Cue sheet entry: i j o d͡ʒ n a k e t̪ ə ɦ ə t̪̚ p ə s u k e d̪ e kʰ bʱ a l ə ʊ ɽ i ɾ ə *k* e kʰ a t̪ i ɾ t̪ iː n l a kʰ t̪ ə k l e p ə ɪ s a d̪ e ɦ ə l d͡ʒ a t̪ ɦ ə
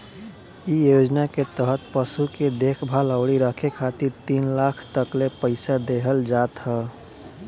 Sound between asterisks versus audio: incorrect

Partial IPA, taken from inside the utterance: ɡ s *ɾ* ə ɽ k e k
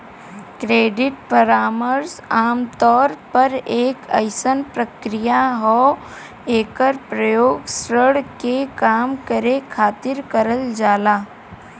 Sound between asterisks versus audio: correct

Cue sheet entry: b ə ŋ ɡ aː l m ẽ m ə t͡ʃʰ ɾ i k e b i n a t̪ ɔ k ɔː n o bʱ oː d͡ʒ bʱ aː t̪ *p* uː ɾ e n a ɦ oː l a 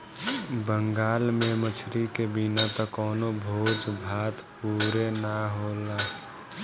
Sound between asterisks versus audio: correct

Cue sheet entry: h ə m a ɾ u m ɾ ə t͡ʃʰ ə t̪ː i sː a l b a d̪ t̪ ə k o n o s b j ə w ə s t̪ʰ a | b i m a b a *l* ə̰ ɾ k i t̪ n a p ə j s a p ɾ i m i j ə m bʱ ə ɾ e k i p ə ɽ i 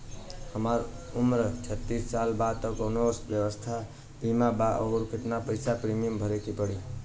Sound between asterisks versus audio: incorrect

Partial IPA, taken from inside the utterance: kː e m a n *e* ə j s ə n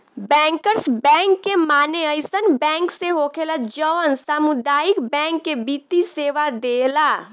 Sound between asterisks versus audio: correct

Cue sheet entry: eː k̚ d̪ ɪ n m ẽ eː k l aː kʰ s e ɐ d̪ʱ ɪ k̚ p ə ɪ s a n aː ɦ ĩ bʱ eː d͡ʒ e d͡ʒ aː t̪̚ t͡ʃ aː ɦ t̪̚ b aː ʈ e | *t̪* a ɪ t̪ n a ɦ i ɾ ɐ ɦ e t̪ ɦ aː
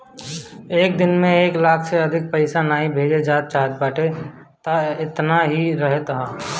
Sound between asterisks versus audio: correct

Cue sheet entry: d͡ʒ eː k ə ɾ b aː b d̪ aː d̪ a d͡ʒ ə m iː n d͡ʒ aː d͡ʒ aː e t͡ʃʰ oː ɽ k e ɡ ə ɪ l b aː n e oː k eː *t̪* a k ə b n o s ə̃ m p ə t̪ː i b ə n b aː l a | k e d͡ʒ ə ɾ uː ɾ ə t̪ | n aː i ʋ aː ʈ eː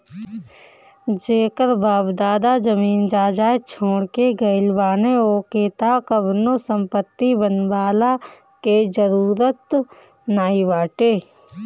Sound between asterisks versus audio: correct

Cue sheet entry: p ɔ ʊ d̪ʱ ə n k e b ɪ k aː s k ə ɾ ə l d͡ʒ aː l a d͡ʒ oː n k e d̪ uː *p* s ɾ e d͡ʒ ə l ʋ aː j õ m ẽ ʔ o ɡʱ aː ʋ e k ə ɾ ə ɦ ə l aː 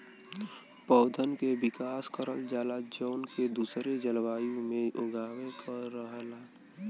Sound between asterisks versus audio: incorrect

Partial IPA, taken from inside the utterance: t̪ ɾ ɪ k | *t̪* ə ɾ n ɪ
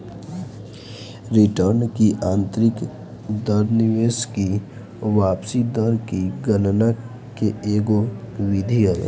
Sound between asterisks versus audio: incorrect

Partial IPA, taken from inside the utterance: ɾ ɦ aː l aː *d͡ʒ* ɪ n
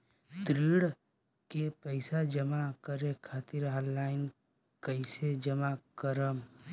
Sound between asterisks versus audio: incorrect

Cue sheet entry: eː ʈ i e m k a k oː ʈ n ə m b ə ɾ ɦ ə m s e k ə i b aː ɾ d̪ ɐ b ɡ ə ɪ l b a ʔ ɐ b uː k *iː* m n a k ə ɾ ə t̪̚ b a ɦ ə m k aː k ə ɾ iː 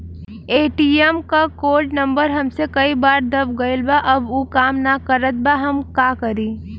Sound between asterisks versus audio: incorrect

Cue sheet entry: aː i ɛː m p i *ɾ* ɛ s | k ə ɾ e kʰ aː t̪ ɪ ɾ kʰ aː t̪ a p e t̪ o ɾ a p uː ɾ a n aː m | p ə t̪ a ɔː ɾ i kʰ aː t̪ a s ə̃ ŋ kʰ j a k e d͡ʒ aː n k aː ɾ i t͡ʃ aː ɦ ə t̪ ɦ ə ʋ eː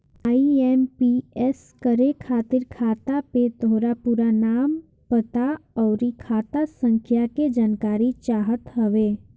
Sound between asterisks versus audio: incorrect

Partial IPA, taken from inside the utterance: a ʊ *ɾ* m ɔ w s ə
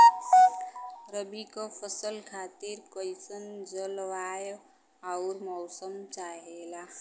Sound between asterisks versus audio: correct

